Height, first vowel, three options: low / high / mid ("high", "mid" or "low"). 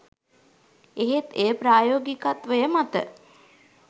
mid